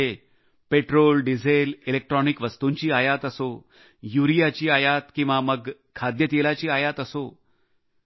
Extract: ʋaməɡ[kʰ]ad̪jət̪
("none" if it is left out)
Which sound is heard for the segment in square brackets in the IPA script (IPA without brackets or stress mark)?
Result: kʰ